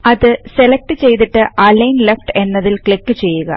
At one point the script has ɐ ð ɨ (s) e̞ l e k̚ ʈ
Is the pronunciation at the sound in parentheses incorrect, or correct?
correct